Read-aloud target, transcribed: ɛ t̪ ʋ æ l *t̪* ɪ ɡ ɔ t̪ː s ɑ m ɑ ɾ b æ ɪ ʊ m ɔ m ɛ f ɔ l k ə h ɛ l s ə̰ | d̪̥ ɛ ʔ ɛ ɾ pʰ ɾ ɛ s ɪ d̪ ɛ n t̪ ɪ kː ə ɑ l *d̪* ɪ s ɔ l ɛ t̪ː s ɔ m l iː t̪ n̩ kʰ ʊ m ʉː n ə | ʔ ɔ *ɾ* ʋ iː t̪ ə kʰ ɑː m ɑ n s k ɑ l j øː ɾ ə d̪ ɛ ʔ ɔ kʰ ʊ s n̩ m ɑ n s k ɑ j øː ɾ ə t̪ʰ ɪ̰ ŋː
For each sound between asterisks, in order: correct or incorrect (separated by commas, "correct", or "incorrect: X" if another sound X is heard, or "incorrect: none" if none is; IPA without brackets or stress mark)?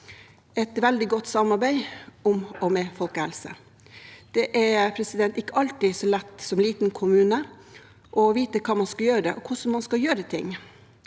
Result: incorrect: d̪, incorrect: t̪, incorrect: none